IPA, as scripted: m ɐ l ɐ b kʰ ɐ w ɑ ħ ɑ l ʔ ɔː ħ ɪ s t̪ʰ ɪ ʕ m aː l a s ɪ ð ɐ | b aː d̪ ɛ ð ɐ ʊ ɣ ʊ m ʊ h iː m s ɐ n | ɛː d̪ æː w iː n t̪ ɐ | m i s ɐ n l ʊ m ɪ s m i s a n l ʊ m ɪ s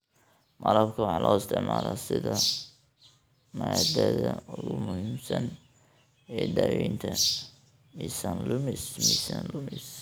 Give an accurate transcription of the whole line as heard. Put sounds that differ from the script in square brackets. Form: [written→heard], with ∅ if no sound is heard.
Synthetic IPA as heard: m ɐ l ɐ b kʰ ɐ w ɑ ħ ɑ l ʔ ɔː [ħ→∅] ɪ s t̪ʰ ɪ ʕ m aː l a s ɪ ð ɐ | [b→m] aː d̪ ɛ ð ɐ ʊ ɣ ʊ m ʊ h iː m s ɐ n | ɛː d̪ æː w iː n [t̪→t̪ʰ] ɐ | m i s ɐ n l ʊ m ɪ s m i s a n l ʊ m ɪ s